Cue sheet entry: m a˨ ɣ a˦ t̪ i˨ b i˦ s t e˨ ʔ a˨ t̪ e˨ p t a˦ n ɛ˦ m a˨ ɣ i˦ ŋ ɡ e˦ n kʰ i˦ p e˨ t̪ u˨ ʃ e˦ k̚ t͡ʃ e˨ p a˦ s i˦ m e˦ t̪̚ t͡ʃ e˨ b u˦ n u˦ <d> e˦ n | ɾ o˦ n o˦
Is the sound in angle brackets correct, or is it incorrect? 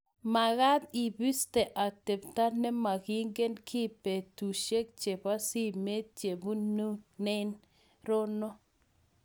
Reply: incorrect: n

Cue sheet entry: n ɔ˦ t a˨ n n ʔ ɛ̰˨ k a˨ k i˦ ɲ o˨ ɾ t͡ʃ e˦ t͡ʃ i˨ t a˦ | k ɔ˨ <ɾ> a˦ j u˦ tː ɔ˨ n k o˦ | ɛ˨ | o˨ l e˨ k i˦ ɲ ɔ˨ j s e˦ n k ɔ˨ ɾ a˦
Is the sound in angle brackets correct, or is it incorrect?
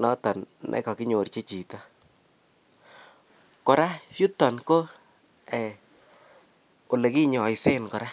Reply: correct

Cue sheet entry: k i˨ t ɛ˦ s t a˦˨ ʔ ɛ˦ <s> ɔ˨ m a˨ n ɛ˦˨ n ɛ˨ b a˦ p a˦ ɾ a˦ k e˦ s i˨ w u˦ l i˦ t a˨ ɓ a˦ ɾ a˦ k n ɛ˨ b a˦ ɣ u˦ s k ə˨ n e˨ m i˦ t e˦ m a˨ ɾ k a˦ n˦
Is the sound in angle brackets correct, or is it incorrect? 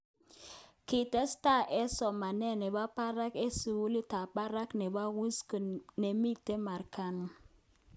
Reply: correct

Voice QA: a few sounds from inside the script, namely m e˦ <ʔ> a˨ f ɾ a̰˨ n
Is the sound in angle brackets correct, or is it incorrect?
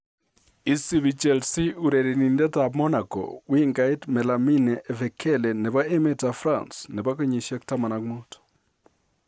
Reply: incorrect: t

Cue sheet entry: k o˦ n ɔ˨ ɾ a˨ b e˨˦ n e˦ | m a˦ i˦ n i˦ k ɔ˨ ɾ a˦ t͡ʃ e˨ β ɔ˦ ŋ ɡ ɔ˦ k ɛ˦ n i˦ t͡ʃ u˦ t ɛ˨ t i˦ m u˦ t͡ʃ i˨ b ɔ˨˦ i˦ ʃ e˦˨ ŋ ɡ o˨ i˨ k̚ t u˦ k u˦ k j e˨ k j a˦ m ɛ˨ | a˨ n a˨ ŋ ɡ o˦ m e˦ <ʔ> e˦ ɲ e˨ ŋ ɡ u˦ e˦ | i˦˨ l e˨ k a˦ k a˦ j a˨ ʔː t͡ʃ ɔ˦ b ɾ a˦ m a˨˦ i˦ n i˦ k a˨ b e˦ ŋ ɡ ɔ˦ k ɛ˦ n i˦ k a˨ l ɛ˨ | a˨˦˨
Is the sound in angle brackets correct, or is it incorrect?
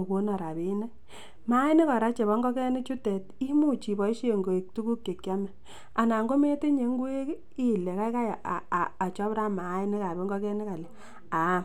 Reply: incorrect: t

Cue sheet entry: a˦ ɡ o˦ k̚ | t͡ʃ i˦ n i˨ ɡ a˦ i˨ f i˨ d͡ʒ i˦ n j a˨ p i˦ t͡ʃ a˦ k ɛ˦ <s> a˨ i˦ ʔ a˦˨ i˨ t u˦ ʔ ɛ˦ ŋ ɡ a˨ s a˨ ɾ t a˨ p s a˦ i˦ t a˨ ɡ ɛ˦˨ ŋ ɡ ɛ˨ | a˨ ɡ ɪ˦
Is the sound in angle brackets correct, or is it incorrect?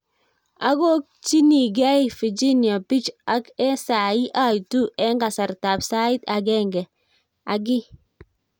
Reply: correct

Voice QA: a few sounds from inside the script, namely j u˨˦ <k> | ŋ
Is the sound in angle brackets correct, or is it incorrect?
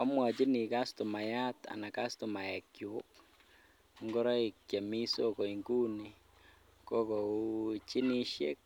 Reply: correct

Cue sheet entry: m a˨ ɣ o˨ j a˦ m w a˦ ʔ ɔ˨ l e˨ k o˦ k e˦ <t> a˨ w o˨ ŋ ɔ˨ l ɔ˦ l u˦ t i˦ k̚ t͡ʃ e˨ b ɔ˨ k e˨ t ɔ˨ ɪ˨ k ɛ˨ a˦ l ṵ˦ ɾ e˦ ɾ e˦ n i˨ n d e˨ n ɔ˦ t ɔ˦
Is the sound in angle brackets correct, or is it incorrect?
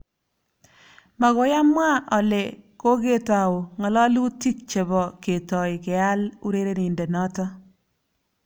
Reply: correct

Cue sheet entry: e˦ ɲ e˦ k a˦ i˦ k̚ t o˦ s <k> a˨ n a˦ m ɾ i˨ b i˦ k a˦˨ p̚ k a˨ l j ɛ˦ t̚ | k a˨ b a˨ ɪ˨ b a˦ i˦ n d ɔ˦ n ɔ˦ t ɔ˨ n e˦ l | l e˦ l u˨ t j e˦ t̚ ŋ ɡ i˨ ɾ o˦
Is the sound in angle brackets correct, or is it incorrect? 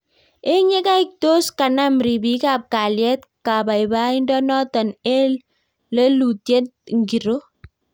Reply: correct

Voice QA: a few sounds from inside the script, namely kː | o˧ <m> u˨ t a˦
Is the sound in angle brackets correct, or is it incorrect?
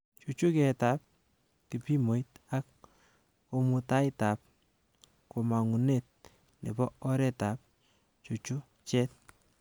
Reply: correct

